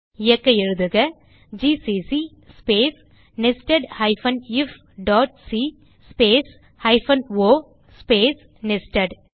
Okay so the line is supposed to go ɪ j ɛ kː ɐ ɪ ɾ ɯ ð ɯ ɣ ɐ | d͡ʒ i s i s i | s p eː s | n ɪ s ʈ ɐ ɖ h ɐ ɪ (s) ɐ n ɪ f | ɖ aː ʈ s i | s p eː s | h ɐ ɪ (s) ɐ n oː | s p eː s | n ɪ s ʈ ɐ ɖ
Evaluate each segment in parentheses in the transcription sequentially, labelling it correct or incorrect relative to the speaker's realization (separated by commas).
incorrect, incorrect